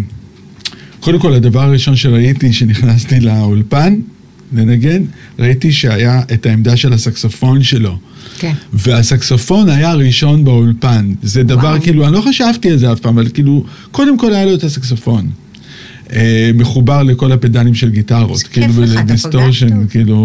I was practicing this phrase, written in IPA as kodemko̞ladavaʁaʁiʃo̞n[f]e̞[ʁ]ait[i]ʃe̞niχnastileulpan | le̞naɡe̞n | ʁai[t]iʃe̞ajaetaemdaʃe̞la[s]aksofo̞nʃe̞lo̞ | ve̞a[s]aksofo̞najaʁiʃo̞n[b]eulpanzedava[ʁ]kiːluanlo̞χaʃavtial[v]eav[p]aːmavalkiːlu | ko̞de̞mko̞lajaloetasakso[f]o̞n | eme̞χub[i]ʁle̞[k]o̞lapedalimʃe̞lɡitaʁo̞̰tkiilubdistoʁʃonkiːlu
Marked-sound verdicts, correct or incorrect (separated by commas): incorrect, correct, correct, correct, correct, correct, correct, correct, incorrect, correct, correct, incorrect, correct